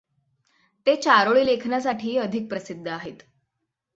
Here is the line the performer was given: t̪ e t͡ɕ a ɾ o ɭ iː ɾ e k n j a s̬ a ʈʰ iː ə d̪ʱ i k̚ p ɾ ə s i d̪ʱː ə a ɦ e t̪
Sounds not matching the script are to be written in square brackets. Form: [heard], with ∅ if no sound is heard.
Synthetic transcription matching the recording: t̪ e t͡ɕ a ɾ o ɭ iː [l] e [kʰ] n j a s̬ a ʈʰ iː ə d̪ʱ i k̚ p ɾ ə s i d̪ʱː ə a ɦ e t̪

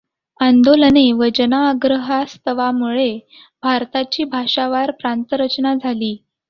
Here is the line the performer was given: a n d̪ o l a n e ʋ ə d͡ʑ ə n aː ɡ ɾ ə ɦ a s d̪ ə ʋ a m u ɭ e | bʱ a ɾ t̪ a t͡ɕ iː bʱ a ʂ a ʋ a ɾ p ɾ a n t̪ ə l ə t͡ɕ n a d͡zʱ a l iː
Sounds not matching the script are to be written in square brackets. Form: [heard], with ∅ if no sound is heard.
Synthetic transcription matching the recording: a n d̪ o l [ə] n e ʋ ə d͡ʑ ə n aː ɡ ɾ ə ɦ a s [t̪] ə ʋ a m u ɭ e | bʱ a ɾ t̪ a t͡ɕ iː bʱ a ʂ a ʋ a ɾ p ɾ a n t̪ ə [ɾ] ə t͡ɕ n a d͡zʱ a l iː

